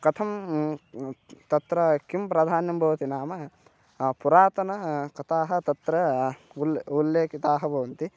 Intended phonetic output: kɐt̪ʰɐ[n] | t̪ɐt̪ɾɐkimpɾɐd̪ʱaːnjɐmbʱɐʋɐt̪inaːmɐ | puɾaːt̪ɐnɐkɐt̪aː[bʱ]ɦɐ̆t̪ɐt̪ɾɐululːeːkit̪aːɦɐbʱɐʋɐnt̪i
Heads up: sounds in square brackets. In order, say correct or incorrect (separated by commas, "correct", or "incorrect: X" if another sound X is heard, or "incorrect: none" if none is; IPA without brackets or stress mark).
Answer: incorrect: m, incorrect: none